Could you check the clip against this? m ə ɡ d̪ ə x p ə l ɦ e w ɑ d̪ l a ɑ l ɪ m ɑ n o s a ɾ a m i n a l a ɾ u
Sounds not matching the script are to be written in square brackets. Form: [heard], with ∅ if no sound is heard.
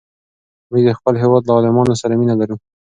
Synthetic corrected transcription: m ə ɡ d̪ ə x p ə l ɦ e w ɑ d̪ l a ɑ l ɪ m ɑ n o s a ɾ a m i n a l a ɾ u